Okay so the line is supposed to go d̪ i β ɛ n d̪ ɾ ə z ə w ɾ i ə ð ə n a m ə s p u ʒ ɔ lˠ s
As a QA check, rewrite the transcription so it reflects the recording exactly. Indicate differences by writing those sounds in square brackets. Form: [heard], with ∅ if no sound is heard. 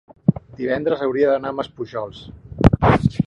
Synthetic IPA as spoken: d̪ i β ɛ n d̪ ɾ ə z ə w ɾ i ə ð ə n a m ə s p u ʒ ɔ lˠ s